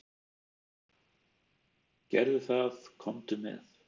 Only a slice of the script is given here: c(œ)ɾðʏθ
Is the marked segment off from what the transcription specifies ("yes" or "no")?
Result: yes